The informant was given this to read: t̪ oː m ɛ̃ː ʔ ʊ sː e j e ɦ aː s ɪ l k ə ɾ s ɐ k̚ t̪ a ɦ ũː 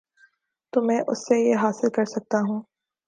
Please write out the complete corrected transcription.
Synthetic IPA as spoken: t̪ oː m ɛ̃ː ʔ ʊ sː e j e ɦ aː s ɪ l k ɐ ɾ s ɐ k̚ t̪ a ɦ ũː